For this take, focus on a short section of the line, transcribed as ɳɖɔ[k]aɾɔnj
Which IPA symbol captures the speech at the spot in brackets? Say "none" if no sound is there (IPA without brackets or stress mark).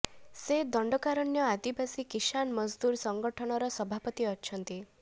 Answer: k